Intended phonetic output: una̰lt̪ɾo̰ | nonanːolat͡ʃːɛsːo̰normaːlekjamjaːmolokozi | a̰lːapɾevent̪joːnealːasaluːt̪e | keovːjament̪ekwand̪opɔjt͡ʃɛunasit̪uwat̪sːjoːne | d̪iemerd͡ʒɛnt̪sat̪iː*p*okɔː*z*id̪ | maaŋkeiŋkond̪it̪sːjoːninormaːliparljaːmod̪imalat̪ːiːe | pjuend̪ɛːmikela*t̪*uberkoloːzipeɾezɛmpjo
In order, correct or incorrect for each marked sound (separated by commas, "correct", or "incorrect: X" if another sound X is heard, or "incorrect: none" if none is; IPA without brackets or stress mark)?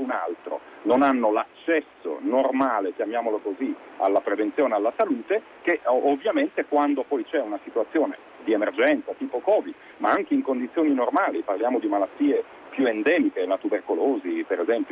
correct, incorrect: v, correct